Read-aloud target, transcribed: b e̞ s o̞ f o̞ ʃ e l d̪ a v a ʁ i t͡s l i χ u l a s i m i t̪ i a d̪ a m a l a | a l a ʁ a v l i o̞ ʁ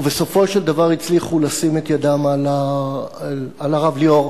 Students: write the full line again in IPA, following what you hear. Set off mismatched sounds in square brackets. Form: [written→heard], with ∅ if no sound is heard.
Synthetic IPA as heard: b e̞ s o̞ f o̞ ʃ e l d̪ a v a ʁ i t͡s l i χ u l a s i m [i→e] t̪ [i→j] a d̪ a m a l a | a l a ʁ a v l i o̞ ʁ